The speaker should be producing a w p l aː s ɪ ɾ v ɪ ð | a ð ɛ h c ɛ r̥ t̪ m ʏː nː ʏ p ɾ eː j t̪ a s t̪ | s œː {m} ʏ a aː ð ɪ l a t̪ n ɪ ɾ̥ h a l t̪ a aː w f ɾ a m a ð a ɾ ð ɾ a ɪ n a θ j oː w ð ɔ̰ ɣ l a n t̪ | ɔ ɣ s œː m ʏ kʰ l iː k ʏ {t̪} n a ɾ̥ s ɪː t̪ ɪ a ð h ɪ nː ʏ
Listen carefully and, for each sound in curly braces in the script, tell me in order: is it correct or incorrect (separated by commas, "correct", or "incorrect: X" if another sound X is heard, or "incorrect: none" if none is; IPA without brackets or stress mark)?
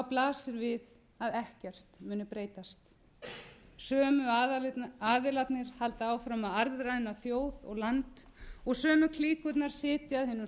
correct, correct